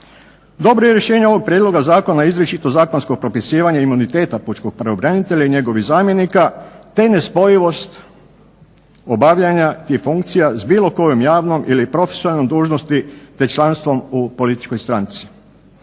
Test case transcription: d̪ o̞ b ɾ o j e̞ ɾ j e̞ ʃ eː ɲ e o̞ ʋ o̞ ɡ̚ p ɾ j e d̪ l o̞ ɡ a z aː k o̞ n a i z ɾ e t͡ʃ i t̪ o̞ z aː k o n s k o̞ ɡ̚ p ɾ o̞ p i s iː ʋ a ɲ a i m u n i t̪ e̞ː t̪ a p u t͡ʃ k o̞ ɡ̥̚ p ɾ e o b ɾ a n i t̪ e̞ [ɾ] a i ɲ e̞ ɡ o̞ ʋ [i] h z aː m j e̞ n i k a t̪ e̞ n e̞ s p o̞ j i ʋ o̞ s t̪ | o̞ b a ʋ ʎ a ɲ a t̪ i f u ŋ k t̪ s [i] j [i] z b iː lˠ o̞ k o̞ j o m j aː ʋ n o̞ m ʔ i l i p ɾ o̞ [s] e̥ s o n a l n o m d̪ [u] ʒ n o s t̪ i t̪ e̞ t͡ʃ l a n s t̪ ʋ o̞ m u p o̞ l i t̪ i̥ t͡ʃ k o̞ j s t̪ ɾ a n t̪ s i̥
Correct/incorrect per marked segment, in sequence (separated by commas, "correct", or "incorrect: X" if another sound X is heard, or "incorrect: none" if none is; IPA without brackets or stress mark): incorrect: ʎ, correct, correct, incorrect: a, incorrect: f, incorrect: uː